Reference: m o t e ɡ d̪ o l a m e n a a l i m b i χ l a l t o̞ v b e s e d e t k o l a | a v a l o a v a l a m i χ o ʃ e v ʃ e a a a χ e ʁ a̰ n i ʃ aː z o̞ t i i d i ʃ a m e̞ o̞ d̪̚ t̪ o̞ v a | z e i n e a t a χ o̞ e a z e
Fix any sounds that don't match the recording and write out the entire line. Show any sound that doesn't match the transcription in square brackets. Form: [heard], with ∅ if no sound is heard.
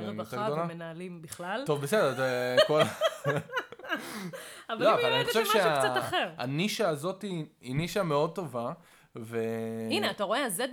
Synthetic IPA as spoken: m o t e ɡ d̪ o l a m e n a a l i m b i χ l a l t o̞ v b e s e d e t k o l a | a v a l o a v a l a [n] i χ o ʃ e v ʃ e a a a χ e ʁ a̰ n i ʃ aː z o̞ t i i [n] i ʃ a m e̞ o̞ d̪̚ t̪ o̞ v a | [v] e i n e a t a [ʁ] o̞ e a z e